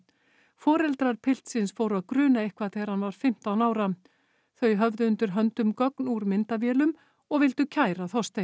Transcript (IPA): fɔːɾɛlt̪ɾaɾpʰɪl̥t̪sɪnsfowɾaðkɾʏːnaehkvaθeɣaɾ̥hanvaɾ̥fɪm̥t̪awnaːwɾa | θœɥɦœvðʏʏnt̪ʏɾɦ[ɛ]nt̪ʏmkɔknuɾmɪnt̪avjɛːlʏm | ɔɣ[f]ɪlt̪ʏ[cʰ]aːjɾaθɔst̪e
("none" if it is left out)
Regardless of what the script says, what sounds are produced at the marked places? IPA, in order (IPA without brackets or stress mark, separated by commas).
œ, v, cʰ